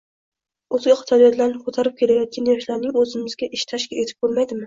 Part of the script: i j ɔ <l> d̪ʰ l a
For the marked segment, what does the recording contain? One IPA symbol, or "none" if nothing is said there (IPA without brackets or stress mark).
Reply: none